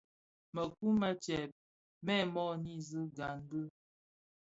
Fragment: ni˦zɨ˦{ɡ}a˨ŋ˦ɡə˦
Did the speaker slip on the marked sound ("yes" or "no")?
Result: no